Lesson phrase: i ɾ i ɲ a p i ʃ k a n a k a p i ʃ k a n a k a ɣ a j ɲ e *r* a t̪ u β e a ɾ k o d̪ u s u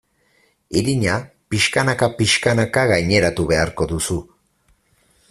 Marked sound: incorrect: ɾ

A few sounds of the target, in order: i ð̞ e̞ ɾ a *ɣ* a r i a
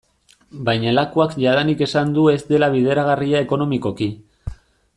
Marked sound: correct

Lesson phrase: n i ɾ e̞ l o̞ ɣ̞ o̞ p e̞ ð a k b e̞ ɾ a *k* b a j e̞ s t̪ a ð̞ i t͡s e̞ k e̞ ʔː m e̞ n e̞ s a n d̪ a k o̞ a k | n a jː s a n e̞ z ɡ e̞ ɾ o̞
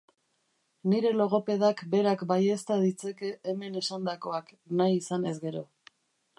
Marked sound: correct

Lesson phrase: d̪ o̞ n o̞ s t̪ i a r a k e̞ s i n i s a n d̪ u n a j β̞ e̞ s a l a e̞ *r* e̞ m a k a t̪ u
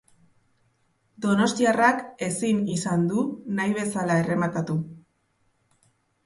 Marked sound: correct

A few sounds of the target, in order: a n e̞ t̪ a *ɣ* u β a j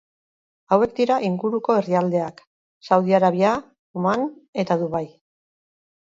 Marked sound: incorrect: ð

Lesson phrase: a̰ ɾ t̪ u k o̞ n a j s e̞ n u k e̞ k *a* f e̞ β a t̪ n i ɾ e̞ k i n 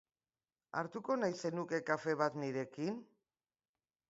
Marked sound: correct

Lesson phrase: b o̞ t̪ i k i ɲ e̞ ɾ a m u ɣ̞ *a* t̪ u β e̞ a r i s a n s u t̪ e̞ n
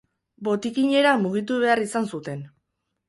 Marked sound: incorrect: i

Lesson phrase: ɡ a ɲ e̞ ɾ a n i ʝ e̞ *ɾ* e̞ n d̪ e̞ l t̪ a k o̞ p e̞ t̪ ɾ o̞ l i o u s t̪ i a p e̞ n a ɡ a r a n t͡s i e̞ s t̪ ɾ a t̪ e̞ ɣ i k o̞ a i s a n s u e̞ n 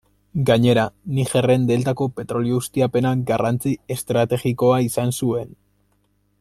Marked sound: incorrect: r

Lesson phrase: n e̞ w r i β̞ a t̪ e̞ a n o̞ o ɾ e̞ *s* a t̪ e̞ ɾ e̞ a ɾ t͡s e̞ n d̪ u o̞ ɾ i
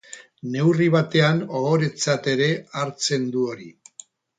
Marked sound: incorrect: t͡s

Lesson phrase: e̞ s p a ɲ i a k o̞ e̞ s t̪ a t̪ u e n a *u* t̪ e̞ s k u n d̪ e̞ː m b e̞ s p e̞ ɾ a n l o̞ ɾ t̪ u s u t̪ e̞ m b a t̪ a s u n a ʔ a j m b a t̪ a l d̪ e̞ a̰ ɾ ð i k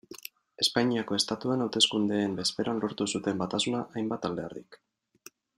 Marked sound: incorrect: w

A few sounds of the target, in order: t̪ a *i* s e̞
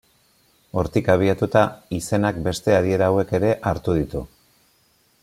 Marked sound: correct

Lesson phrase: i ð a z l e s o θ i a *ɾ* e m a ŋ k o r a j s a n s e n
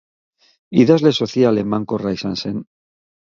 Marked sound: incorrect: l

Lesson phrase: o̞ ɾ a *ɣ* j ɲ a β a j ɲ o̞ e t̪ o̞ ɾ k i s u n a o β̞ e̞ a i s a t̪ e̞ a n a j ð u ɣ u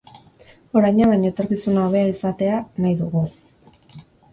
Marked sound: incorrect: none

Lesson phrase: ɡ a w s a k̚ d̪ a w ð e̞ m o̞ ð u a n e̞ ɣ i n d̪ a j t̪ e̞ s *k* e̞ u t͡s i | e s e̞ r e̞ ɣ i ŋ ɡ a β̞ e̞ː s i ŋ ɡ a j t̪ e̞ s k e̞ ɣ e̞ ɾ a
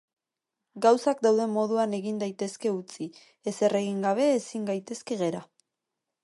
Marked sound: correct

